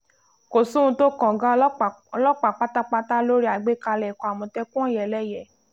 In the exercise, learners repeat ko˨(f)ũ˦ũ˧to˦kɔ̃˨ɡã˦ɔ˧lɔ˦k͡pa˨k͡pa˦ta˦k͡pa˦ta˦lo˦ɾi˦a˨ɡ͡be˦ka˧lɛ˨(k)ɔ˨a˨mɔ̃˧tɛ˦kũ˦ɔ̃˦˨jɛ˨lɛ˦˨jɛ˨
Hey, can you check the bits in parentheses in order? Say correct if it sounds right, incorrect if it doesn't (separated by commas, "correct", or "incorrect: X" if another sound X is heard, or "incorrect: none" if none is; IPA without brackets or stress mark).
incorrect: s, correct